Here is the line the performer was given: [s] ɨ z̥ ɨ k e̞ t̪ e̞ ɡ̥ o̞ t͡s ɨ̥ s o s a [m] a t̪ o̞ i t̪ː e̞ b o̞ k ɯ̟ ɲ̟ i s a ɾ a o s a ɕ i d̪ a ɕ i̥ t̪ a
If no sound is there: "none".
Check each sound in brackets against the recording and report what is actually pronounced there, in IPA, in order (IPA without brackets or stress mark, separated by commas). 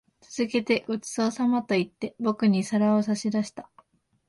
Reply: t͡s, m